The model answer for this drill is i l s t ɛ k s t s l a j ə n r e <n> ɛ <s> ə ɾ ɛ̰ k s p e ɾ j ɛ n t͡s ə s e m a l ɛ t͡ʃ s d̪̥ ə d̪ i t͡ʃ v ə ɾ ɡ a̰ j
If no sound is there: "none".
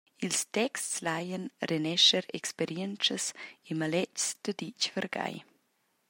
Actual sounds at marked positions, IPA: n, ʃ

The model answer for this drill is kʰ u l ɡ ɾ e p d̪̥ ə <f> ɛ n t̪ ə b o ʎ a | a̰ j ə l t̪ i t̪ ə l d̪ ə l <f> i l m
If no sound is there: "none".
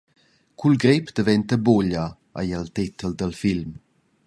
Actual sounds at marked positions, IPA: v, f

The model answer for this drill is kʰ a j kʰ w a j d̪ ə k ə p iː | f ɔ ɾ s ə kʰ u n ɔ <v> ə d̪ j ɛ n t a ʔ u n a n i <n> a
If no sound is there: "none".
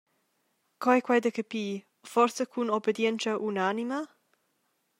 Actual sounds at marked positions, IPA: b, m

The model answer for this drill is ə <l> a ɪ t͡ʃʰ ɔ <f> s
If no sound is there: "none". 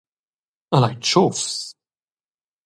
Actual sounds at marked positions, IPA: l, f

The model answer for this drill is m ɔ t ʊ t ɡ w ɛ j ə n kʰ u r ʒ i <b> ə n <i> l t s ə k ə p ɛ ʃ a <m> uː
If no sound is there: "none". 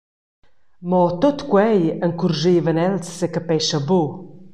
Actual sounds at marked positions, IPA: v, ɛ, b

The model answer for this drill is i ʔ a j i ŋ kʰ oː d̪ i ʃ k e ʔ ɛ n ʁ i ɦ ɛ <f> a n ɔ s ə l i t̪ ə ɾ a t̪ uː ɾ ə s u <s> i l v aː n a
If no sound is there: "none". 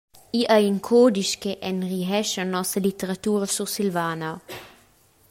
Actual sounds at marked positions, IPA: ʃ, s

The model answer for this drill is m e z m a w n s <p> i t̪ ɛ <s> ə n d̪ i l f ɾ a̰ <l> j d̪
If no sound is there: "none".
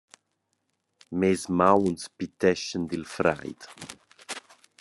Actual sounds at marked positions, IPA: p, ʃ, none

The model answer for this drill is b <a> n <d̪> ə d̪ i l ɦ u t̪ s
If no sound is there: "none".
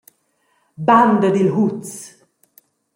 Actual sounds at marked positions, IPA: a, d̪

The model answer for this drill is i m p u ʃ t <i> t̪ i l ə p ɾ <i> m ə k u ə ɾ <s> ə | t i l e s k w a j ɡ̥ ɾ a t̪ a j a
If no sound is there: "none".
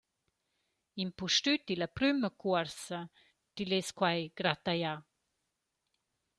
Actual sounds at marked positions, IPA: y, y, s

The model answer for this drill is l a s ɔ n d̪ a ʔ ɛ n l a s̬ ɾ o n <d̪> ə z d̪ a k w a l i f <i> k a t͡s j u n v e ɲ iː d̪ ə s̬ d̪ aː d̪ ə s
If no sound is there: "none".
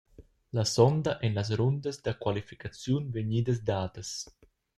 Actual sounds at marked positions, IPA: d̪, i

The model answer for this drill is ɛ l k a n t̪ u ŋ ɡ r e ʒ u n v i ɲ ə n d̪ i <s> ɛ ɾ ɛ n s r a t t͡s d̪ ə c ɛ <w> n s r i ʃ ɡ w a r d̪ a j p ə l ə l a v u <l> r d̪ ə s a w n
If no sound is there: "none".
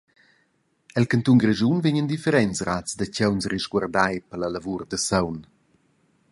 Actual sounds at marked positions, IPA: f, w, none

